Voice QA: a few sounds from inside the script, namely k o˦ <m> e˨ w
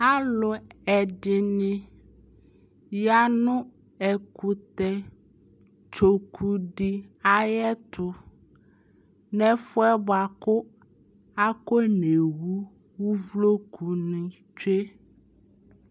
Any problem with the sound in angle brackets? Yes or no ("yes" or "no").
yes